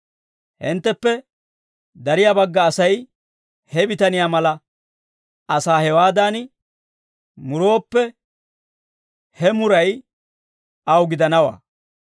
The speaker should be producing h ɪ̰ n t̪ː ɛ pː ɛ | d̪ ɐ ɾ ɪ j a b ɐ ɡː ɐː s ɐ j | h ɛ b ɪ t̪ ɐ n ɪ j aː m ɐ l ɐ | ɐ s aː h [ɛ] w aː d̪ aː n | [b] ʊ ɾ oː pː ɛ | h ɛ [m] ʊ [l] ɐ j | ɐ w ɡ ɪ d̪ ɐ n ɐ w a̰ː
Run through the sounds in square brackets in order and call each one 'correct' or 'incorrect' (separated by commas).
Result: correct, incorrect, correct, incorrect